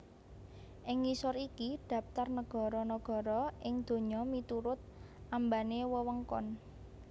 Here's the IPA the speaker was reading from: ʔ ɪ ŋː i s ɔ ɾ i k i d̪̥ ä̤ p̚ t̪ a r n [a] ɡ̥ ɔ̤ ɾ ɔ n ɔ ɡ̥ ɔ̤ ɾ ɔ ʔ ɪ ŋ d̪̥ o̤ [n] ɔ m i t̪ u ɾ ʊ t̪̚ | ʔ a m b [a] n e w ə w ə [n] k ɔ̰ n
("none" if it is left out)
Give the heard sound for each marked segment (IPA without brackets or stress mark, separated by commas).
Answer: ə, ɲ, a, ŋ